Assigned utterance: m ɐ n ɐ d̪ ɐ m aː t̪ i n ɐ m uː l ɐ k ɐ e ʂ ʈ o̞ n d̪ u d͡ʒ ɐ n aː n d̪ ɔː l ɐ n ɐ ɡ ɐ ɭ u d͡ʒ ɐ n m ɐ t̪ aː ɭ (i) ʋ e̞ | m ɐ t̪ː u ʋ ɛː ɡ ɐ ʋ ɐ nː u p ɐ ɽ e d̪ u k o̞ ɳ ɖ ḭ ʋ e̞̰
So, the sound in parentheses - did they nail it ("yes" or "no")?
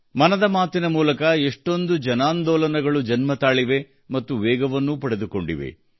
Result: yes